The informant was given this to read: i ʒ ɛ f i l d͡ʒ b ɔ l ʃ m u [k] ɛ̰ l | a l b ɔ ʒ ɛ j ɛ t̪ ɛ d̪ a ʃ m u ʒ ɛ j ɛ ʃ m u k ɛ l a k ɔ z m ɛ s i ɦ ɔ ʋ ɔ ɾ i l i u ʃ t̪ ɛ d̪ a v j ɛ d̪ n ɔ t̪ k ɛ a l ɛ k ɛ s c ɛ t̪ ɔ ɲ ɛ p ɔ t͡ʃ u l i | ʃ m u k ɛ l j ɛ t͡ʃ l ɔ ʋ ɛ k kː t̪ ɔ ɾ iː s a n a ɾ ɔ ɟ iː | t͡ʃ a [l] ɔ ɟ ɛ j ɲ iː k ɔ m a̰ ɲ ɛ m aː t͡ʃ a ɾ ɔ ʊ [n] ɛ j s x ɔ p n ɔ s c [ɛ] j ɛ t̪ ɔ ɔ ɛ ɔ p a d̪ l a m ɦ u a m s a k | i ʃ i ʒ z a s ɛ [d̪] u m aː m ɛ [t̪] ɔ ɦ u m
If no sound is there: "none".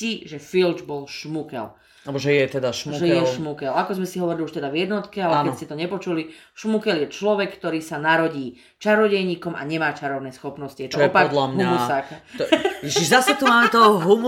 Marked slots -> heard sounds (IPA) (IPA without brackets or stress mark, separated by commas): k, ɾ, n, i, t̪, t̪